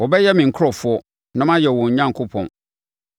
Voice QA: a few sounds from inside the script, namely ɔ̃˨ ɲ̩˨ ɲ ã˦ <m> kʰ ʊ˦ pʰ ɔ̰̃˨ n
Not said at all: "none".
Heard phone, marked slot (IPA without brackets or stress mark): ŋ